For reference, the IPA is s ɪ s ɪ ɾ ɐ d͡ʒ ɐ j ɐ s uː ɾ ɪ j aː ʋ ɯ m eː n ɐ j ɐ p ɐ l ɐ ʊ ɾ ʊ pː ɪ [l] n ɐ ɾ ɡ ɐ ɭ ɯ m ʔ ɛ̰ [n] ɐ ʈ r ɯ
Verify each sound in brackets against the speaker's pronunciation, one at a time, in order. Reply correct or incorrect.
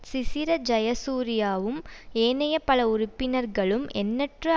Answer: incorrect: none, incorrect: nː

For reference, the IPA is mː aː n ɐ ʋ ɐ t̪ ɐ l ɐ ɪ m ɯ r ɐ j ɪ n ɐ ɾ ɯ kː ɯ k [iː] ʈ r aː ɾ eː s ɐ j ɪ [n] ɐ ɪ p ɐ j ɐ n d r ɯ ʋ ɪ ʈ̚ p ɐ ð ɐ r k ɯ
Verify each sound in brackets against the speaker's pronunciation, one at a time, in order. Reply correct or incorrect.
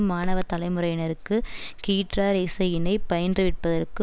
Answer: correct, correct

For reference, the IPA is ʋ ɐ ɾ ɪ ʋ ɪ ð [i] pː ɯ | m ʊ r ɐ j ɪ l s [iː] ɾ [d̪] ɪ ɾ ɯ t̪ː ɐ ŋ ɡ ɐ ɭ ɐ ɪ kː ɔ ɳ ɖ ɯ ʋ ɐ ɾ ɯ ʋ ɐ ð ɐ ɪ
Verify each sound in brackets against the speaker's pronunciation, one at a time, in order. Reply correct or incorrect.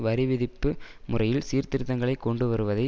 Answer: incorrect: ɪ, correct, incorrect: t̪

